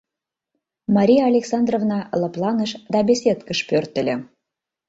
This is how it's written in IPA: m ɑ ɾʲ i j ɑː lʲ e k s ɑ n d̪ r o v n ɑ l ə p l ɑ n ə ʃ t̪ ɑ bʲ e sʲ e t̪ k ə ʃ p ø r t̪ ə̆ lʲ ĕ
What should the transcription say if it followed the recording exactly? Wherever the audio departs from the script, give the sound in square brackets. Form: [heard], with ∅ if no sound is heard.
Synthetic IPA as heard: m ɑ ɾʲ i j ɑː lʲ e k s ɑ n d̪ r o v n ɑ l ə p l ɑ n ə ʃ [d̪] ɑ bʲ e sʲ e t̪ k ə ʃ p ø r t̪ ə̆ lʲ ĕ